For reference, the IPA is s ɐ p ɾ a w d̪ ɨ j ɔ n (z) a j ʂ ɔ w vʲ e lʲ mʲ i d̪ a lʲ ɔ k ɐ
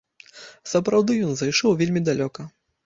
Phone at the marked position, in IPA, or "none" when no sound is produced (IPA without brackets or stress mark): z